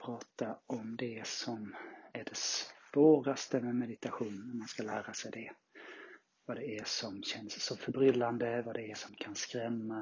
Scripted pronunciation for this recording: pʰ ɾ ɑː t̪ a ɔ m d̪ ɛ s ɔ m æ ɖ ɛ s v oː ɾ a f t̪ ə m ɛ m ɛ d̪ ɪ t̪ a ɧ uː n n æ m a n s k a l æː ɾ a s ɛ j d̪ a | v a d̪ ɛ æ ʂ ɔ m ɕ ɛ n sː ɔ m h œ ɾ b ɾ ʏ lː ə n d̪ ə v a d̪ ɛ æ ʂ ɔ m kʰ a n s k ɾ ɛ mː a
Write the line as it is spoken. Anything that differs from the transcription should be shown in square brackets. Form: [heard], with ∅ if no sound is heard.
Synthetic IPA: pʰ ɾ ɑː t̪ a ɔ m d̪ ɛ s ɔ m æ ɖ ɛ s v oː ɾ a [s] t̪ ə m ɛ m ɛ d̪ ɪ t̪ a ɧ uː n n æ m a n s k a l æː ɾ a s ɛ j d̪ [ɛ] | v a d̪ ɛ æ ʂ ɔ m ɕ ɛ n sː ɔ m [f] œ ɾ b ɾ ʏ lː [a] n d̪ ə v a d̪ ɛ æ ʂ ɔ m kʰ a n s k ɾ ɛ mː a